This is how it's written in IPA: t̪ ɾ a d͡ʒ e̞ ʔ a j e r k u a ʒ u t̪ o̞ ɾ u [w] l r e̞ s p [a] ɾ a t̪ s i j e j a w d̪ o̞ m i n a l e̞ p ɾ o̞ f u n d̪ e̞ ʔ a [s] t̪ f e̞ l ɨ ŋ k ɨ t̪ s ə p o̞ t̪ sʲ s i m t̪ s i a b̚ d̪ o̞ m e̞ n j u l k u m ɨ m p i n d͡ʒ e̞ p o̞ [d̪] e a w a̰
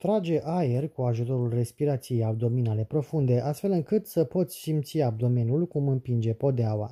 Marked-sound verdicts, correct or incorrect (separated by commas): incorrect, incorrect, correct, correct